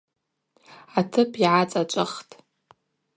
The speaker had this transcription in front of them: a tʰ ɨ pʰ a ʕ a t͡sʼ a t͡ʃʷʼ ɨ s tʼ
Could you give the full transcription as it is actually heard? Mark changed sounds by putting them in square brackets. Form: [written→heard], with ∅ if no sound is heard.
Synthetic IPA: a tʰ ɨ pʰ [a→i] ʕ a t͡sʼ a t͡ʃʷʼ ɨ [s→χ] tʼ